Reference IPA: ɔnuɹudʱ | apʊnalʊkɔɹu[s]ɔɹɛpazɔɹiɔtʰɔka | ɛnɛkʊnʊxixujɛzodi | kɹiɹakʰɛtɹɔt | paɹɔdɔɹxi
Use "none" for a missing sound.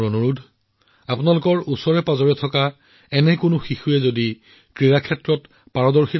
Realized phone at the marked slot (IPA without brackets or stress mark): s